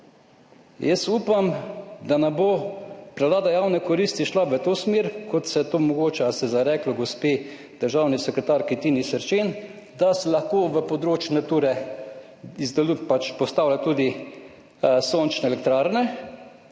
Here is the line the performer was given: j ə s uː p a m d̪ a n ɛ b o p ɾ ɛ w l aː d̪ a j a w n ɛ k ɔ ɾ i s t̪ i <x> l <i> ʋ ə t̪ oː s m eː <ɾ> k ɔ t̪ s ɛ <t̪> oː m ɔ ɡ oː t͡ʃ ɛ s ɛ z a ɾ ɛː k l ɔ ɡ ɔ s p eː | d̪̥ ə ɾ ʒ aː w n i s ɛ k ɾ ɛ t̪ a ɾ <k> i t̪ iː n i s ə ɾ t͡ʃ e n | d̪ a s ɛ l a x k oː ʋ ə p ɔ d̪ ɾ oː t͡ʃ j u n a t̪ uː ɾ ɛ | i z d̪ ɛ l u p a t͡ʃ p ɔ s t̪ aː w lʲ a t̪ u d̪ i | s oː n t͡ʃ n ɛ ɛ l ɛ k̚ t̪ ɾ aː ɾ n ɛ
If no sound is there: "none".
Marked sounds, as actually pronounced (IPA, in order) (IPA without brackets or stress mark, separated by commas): ʃ, a, ɾ, t̪, k